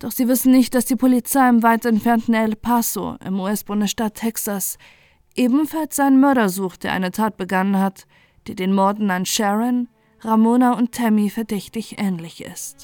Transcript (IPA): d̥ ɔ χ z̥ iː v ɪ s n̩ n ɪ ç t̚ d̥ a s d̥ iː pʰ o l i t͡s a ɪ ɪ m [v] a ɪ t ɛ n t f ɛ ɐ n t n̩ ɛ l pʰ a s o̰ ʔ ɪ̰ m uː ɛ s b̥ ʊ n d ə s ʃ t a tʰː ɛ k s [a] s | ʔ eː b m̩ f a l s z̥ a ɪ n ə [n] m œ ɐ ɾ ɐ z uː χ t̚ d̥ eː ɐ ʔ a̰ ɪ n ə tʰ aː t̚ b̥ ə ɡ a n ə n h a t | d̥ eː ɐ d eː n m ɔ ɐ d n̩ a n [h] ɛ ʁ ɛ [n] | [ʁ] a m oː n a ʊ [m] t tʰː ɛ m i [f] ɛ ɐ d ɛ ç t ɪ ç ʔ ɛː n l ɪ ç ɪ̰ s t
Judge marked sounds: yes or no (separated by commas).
yes, yes, yes, no, yes, yes, no, yes